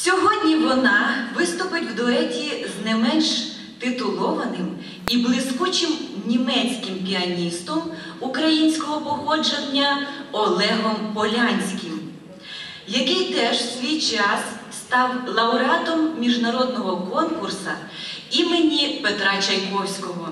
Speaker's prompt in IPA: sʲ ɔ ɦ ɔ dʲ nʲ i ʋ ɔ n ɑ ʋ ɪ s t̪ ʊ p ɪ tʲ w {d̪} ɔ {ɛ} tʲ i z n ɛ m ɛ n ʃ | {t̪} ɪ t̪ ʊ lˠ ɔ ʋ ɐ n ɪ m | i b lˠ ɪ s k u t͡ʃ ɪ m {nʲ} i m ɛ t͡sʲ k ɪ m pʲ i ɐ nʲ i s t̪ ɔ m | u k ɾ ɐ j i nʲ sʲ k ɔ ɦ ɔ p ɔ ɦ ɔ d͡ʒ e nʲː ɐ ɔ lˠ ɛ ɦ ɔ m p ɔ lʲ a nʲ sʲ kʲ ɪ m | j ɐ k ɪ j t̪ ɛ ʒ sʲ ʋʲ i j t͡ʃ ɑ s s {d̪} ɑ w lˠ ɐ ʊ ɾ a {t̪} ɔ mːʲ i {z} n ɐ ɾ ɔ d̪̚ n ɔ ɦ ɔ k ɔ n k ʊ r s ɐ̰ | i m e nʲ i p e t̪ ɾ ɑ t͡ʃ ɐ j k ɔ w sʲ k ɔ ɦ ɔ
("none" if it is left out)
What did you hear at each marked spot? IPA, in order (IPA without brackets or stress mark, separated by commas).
d̪, ɛ, t̪, nʲ, t̪, t̪, ʒ